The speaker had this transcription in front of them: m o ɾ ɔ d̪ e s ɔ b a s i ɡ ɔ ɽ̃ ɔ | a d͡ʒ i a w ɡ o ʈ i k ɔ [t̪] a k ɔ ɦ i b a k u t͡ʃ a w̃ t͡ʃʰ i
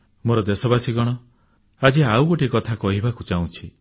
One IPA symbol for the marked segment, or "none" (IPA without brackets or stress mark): t̪ʰ